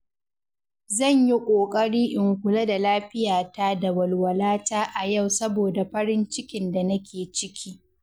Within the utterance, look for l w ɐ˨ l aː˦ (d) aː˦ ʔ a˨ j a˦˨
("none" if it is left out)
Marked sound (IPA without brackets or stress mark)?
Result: t